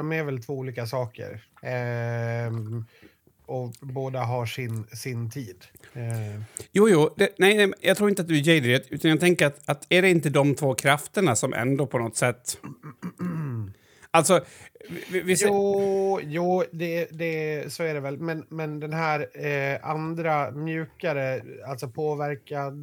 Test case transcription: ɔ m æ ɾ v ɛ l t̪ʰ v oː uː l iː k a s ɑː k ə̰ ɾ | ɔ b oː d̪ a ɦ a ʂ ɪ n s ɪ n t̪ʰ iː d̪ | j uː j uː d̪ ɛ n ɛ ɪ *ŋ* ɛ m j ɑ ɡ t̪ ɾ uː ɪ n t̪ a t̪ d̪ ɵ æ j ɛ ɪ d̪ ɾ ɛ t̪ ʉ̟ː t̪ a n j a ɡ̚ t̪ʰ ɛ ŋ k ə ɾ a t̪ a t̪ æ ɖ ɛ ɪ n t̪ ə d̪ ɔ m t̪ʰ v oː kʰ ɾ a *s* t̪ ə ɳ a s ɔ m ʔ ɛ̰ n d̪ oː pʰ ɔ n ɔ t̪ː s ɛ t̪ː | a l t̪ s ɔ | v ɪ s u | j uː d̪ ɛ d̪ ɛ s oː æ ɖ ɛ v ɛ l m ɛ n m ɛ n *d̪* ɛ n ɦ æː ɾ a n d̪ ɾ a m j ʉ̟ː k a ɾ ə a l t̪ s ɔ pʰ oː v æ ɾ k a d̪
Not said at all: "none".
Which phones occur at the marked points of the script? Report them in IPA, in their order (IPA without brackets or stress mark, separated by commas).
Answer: n, f, d̪